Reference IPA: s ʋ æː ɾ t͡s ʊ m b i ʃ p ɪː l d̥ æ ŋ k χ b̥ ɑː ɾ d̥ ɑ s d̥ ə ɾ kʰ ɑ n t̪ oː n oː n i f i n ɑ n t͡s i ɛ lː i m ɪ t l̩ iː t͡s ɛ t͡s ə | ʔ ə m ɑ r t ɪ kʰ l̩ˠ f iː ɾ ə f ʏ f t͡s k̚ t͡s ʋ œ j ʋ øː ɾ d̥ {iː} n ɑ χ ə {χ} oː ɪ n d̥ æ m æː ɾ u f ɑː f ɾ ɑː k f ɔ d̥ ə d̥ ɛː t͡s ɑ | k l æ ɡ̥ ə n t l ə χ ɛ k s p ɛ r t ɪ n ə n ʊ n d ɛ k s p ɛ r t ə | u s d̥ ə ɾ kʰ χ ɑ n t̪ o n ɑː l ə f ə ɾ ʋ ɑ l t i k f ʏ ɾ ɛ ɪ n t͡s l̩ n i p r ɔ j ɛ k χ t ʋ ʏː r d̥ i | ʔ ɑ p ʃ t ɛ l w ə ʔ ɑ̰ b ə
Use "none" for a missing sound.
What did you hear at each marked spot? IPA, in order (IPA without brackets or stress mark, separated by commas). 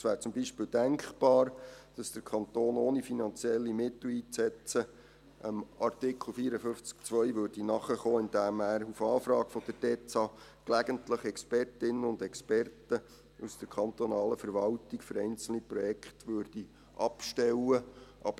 i, χ